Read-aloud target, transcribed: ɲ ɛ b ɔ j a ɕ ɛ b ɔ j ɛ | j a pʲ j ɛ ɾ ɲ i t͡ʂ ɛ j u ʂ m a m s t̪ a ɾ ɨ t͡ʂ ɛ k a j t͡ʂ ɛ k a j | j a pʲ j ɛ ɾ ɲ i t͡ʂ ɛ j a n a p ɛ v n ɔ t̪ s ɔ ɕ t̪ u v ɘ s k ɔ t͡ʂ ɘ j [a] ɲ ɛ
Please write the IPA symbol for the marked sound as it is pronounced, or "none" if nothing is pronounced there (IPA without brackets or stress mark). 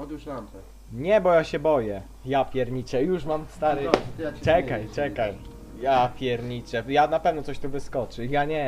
a